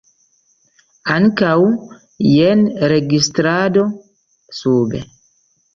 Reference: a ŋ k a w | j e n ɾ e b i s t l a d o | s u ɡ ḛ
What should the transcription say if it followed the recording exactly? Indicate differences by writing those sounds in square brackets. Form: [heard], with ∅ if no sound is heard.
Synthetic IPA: a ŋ k a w | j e n ɾ e [ɡ] i s t [ɾ] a d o | s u [b] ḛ